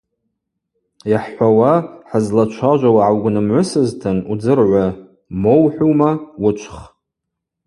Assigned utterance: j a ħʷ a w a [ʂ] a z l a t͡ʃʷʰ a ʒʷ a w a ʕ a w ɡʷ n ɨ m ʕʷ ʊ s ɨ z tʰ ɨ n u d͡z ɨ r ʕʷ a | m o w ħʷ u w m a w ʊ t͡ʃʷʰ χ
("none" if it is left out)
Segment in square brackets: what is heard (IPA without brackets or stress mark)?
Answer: ħ